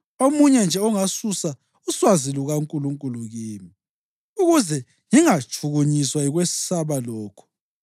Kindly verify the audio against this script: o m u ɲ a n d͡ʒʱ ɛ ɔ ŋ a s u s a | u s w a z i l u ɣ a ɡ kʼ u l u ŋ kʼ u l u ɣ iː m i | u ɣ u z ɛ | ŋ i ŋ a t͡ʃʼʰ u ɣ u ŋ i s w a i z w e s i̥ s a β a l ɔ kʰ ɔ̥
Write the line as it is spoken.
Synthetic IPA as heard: o m u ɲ ɛ n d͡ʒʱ ɛ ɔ ŋ a s u s a | u s w a z i l u ɣ a ŋ kʼ u l u ŋ kʼ u l u ɣ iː m i | u ɣ u z ɛ | ŋ i ŋ a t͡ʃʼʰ u ɣ u ɲ i s w a i ɣ w e s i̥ s a β a l ɔː kʰ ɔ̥